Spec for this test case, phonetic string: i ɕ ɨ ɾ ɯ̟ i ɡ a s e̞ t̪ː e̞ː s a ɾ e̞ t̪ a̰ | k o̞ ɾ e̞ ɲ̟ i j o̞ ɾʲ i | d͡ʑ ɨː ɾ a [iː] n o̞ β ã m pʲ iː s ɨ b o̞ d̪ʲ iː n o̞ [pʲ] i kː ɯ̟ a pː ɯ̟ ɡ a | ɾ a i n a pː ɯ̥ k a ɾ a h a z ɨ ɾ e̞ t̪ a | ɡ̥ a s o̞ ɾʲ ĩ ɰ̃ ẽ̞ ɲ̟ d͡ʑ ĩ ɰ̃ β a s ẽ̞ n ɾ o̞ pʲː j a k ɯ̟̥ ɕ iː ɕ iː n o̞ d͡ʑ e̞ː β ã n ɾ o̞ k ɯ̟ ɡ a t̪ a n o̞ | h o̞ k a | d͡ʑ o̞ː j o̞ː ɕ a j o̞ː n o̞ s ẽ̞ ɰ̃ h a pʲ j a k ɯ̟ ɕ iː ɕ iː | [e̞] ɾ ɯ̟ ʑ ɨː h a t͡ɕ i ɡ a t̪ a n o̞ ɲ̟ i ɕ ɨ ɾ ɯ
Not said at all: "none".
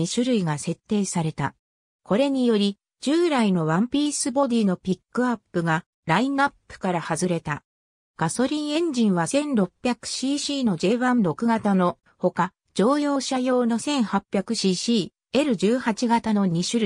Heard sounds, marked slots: i, pʲ, e̞

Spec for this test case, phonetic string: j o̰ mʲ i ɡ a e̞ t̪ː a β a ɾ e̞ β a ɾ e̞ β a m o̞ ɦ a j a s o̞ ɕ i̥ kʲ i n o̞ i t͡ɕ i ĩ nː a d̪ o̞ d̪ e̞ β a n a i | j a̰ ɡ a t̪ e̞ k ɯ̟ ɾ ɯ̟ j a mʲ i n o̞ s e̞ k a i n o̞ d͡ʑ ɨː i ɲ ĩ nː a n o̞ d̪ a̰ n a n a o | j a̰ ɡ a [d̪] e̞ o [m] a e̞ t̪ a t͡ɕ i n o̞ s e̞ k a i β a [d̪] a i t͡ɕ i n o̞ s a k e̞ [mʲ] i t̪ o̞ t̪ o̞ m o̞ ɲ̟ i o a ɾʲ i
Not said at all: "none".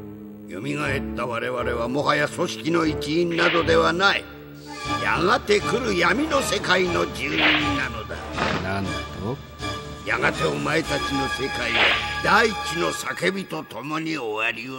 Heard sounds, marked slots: t̪, m, d̪, bʲ

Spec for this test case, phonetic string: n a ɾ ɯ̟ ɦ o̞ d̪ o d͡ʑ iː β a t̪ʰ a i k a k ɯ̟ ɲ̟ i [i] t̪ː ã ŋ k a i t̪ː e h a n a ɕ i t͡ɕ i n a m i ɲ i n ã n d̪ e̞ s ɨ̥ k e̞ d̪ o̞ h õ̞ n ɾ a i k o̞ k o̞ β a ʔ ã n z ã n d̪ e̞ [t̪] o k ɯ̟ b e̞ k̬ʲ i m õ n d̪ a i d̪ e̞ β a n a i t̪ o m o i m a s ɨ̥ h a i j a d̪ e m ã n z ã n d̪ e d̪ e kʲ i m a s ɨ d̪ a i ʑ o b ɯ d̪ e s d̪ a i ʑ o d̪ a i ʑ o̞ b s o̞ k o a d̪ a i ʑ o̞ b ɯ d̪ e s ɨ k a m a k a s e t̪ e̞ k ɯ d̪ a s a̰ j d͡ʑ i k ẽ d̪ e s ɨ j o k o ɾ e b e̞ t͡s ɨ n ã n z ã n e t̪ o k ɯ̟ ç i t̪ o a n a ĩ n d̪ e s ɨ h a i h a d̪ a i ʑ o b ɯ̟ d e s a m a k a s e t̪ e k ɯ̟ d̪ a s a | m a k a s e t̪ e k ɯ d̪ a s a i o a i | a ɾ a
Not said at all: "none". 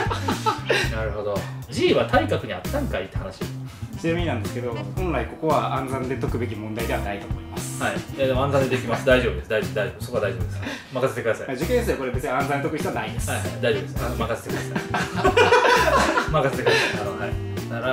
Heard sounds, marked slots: a, t̪

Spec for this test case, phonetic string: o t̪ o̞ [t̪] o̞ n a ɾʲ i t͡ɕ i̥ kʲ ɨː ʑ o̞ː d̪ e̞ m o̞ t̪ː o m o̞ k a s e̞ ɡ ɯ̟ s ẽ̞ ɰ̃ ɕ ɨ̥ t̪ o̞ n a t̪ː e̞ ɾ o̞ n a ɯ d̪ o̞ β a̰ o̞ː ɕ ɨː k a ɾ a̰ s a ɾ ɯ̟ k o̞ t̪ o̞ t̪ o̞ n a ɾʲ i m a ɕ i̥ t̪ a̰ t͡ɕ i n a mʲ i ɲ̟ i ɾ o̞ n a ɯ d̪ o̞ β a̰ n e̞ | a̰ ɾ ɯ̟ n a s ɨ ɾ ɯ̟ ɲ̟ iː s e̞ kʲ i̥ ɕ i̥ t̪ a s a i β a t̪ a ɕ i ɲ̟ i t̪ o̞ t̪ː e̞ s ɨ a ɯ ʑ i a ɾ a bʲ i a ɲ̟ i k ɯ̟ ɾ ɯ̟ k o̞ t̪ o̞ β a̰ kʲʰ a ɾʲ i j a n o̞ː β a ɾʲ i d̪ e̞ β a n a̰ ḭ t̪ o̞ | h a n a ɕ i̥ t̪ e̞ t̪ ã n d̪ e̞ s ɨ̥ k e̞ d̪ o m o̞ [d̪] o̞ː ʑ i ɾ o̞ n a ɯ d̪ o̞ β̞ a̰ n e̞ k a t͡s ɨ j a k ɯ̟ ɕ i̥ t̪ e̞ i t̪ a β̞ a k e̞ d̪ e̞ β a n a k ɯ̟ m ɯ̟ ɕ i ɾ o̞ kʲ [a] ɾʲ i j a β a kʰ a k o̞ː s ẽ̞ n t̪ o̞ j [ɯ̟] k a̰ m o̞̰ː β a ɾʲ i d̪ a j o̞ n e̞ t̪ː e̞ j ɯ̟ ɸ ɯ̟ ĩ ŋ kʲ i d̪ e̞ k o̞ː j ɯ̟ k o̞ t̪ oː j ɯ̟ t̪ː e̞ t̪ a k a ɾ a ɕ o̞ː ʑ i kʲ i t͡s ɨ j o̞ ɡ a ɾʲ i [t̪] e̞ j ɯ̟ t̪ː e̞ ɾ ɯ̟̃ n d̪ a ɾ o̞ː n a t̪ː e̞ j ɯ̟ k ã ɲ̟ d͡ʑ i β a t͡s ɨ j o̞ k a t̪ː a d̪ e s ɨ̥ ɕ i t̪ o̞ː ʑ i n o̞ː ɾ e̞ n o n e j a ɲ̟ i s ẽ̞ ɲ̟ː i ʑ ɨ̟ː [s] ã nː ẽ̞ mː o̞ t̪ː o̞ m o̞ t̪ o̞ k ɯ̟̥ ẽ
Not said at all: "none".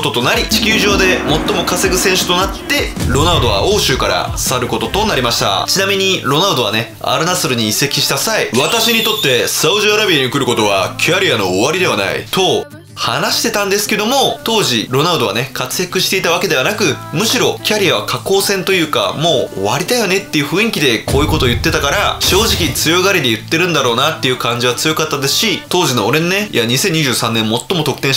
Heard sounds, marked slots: t̪, t̪, a, ɯ̟ː, d̪, s

